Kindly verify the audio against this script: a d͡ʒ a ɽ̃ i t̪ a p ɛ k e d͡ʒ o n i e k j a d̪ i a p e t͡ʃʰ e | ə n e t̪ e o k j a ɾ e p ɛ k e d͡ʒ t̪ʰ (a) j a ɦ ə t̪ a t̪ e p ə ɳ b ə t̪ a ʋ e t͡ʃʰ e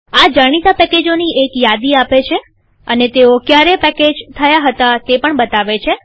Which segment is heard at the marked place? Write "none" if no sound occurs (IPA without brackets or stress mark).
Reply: ə